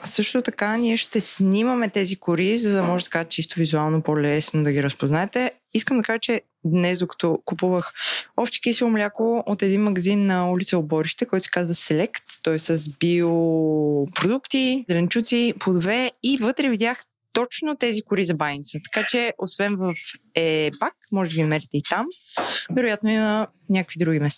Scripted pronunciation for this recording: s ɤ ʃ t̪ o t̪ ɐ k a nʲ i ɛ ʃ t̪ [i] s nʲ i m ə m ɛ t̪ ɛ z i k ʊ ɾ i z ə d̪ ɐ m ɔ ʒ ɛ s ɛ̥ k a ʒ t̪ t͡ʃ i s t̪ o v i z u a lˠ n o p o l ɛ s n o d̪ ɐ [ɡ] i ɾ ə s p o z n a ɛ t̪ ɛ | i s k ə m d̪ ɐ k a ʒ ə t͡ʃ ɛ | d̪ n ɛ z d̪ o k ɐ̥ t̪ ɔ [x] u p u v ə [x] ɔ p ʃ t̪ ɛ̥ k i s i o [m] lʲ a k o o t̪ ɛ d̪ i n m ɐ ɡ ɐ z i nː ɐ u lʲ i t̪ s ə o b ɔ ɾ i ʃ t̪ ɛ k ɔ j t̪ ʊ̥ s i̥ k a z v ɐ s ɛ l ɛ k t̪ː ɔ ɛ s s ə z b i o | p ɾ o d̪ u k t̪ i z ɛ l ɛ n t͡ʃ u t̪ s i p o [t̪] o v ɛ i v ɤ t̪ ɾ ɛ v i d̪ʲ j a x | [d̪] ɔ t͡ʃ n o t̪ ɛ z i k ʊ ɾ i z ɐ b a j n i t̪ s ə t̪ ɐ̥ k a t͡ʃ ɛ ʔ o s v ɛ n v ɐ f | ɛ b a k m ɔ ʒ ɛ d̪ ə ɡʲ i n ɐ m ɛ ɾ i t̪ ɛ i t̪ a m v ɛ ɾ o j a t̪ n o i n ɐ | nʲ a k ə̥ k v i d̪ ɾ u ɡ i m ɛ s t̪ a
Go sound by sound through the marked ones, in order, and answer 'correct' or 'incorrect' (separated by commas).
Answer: incorrect, correct, incorrect, correct, correct, incorrect, incorrect